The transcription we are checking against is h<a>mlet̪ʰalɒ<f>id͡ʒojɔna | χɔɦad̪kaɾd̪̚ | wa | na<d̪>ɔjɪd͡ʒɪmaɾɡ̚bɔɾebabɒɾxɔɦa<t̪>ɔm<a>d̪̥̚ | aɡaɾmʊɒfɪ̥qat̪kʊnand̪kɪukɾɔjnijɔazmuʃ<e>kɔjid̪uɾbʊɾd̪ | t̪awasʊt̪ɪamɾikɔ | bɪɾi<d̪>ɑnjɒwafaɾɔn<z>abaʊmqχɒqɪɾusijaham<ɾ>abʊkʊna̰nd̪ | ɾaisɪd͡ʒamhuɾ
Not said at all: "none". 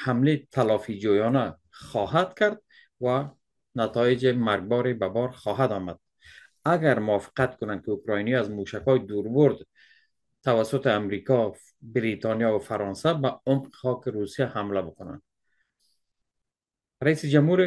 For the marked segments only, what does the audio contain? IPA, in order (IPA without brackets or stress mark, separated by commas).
a, f, t̪, d̪, a, a, t̪, s, l